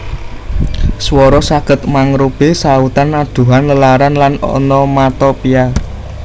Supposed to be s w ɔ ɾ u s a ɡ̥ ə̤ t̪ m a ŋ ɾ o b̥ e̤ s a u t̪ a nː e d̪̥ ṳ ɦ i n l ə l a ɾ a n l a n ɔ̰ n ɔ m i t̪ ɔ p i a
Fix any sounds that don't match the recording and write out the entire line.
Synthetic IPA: s w ɔ ɾ ɔ s a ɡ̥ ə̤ t̪ m a ŋ ɾ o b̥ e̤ s a u t̪ a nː a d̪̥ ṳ ɦ a n l ə l a ɾ a n l a n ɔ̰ n ɔ m a t̪ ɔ p i a